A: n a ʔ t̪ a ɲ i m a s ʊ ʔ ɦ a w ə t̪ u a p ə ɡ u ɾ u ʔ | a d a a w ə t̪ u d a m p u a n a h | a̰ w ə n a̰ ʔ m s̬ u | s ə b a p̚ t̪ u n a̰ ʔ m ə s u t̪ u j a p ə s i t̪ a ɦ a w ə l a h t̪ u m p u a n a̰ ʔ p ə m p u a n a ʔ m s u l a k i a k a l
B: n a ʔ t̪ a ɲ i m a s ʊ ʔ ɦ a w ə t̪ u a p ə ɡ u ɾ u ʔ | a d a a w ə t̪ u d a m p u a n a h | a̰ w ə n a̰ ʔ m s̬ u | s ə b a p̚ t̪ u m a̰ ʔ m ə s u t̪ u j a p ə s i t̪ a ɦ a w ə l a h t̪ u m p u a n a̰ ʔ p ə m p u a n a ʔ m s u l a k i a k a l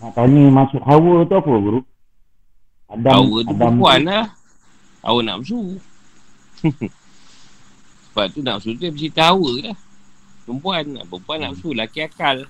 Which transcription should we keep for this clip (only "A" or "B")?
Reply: A